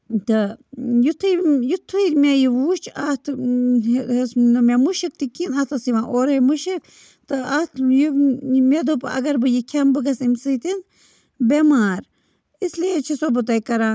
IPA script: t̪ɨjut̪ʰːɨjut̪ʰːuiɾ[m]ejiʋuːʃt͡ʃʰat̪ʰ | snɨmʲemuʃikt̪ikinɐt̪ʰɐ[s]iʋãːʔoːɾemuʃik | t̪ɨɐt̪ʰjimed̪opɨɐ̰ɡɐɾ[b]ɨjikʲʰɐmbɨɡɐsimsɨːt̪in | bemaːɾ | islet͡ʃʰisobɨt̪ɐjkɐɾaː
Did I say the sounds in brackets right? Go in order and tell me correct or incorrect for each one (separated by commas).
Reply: correct, correct, correct